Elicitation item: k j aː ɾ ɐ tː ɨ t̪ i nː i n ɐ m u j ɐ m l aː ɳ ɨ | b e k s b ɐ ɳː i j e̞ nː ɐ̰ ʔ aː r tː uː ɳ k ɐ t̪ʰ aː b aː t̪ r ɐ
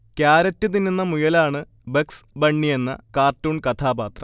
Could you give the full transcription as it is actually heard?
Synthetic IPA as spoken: k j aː ɾ ɐ tː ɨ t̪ i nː i nː ɐ m u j ɐ l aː ɳ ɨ | b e k s b ɐ ɳː i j e̞ nː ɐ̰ k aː r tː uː ɳ k ɐ t̪ʰ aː b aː t̪ r ɐ